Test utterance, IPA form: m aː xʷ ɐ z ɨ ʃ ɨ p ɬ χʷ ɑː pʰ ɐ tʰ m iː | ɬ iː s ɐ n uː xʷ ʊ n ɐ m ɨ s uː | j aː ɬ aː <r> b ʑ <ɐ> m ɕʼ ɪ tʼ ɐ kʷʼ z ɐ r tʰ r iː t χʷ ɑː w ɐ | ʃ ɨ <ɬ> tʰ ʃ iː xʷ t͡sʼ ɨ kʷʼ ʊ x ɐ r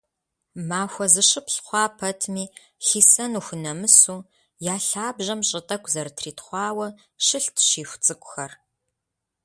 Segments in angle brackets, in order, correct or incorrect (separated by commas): incorrect, correct, correct